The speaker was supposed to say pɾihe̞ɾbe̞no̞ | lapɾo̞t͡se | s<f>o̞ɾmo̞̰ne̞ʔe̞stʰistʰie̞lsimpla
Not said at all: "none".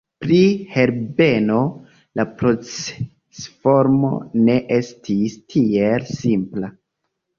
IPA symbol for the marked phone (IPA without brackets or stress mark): f